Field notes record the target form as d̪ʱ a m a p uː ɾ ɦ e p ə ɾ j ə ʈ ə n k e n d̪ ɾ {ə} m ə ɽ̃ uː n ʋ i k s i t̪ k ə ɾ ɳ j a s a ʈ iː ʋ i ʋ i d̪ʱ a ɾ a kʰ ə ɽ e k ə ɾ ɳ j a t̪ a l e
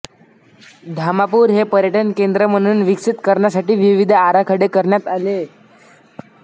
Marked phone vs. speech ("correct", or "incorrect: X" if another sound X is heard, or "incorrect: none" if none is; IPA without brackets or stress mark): correct